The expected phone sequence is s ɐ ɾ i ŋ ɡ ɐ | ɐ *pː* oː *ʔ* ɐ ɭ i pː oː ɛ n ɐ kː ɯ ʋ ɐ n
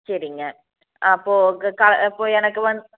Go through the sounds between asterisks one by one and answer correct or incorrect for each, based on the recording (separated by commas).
correct, incorrect